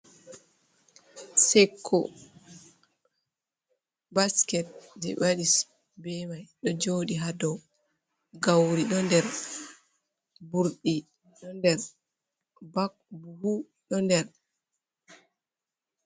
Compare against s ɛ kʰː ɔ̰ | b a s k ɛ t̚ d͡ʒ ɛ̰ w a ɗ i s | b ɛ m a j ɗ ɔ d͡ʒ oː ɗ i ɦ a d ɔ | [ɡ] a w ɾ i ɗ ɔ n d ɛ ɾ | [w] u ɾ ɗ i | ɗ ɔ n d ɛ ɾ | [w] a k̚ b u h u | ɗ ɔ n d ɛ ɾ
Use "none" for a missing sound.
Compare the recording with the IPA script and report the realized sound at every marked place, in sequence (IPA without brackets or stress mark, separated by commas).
ɡ, b, b